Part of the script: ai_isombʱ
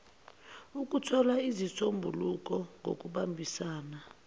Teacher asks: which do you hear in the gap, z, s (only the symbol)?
z